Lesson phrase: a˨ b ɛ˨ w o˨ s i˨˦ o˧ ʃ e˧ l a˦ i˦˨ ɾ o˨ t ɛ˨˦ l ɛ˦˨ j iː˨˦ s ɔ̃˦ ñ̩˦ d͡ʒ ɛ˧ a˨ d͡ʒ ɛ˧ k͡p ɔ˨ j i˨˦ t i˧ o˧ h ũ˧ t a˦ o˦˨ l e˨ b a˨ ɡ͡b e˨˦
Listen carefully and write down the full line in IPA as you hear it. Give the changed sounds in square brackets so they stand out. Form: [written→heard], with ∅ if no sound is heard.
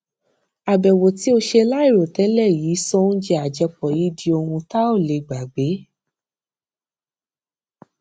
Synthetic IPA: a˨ b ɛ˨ w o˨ [s→t] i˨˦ o˧ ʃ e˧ l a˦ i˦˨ ɾ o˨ t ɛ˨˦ l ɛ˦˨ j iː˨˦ s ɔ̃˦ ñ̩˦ d͡ʒ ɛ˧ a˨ d͡ʒ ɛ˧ k͡p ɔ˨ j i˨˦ [t→d] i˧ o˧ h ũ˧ t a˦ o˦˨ l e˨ [b→ɡ͡b] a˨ ɡ͡b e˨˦